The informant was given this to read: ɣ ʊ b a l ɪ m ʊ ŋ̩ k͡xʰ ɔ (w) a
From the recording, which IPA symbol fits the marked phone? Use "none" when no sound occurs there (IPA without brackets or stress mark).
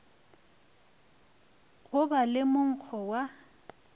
w